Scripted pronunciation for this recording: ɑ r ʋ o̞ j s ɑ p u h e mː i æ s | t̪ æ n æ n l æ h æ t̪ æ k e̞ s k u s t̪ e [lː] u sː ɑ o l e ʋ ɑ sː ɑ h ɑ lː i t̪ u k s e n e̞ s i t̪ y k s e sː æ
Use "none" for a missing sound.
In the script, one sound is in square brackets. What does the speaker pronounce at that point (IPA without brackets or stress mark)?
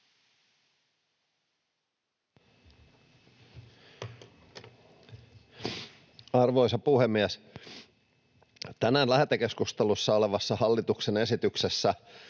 l